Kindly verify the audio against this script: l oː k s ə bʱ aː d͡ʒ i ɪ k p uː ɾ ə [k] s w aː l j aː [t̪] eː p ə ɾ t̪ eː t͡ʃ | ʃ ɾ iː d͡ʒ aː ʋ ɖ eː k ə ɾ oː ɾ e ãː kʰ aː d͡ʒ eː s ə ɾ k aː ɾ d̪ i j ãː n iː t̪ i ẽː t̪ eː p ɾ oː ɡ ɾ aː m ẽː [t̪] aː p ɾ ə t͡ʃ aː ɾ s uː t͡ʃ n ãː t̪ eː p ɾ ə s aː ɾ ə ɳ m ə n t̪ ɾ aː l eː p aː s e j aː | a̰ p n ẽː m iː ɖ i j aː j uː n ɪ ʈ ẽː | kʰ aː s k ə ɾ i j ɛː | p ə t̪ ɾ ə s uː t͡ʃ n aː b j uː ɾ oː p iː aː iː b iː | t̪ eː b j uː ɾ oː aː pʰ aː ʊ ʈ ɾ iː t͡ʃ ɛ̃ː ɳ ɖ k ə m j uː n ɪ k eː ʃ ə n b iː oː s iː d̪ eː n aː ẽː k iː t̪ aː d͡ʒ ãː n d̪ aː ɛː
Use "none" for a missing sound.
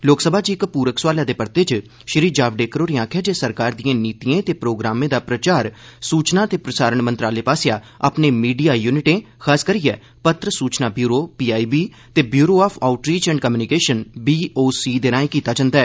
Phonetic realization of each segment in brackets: k, d̪, d̪

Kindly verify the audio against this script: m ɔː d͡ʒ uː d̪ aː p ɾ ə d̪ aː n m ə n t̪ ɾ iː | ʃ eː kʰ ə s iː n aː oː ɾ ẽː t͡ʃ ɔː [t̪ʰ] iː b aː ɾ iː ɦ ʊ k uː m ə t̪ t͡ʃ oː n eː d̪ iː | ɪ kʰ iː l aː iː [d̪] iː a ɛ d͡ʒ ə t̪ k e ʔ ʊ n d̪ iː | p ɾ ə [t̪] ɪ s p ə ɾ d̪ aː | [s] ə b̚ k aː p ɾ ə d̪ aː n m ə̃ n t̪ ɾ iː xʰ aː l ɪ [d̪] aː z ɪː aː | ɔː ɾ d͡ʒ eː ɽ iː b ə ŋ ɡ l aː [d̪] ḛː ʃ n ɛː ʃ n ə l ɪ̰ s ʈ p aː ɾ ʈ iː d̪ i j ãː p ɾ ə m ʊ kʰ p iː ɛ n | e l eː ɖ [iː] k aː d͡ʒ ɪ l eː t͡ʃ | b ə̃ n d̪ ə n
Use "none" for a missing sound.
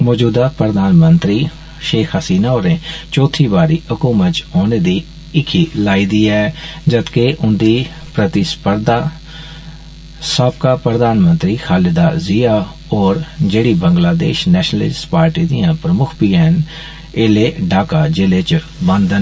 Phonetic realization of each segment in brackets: t̪ʰ, d̪, t̪, s, d̪, d̪, aː

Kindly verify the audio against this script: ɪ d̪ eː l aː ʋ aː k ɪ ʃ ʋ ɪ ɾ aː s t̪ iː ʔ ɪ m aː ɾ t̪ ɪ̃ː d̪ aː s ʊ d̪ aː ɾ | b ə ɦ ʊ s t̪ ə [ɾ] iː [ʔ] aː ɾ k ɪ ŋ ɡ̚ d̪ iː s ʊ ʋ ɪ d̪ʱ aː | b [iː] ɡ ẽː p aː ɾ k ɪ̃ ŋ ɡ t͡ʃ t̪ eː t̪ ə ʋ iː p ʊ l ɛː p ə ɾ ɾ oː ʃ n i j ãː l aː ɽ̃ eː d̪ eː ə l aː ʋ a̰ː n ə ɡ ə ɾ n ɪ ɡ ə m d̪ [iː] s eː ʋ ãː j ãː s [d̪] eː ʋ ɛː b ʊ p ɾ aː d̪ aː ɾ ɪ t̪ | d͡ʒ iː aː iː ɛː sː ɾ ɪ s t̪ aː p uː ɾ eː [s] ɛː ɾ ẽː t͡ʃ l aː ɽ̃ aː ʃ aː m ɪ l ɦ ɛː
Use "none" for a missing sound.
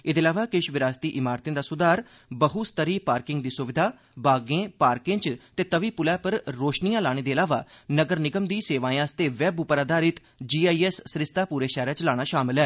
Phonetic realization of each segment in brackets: ɾ, p, aː, iː, t̪, ʃ

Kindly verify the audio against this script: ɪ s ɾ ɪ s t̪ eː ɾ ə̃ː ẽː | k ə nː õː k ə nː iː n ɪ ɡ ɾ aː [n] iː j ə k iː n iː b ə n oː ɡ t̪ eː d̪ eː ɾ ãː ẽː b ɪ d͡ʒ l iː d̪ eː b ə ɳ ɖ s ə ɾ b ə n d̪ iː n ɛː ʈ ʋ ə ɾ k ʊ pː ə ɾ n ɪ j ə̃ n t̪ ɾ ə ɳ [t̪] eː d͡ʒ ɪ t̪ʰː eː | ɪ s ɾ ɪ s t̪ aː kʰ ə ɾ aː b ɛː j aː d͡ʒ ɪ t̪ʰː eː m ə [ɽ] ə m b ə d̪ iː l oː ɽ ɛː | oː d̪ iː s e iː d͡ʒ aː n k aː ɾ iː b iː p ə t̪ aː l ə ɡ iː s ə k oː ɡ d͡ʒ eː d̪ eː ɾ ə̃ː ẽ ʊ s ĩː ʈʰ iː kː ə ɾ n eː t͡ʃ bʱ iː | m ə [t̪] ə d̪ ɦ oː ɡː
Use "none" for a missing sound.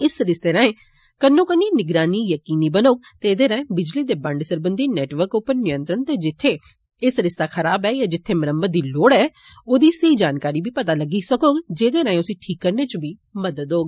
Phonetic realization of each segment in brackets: n, t̪, ɾ, d̪

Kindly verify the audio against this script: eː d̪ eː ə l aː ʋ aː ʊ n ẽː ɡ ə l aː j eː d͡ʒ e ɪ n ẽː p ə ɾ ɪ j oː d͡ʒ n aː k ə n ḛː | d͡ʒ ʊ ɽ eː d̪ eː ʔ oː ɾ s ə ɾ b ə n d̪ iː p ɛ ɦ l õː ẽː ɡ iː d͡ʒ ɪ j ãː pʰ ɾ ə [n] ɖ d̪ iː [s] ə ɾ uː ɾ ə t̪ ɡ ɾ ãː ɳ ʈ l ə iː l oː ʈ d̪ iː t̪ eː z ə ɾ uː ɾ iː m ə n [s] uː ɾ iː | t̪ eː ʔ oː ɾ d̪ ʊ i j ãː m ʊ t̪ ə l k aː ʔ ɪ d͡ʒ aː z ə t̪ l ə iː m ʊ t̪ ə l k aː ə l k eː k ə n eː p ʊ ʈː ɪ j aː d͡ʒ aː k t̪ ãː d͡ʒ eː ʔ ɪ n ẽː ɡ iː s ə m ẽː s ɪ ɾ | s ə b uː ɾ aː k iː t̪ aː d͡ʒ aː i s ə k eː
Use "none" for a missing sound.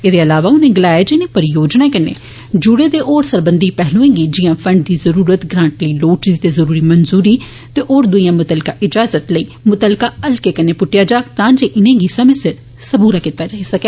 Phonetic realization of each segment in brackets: ɳ, z, z

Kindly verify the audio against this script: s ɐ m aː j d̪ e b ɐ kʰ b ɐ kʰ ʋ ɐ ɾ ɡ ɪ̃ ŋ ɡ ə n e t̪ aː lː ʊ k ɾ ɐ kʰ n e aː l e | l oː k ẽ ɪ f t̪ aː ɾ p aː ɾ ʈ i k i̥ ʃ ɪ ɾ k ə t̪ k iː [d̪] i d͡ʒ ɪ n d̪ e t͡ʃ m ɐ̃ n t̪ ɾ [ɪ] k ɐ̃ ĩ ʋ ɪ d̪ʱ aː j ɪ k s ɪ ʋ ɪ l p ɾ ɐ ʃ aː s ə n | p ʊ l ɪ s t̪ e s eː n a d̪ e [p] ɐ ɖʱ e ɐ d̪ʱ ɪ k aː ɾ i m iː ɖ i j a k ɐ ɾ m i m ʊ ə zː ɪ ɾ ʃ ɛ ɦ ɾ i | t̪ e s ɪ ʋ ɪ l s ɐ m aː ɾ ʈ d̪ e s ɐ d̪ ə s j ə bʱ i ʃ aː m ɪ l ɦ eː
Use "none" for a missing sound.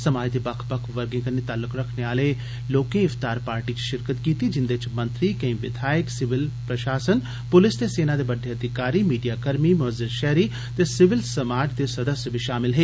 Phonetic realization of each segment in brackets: t̪, i, b

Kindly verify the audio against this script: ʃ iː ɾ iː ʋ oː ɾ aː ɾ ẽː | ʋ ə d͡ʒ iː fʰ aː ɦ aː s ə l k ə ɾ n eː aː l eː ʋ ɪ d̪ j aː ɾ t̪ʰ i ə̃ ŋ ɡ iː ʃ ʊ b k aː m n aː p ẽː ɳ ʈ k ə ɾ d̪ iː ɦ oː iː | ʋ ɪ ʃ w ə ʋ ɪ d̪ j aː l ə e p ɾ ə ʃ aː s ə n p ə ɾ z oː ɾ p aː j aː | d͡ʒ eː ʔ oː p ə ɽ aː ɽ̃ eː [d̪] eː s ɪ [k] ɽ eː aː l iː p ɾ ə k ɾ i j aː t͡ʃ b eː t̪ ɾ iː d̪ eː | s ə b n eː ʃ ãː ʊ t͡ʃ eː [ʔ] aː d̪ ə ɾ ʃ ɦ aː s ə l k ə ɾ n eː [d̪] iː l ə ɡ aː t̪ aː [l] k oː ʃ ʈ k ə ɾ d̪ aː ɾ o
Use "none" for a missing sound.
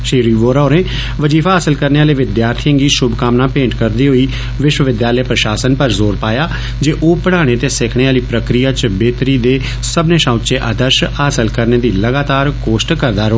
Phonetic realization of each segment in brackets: t̪, kʰ, ʔ, d̪, ɾ

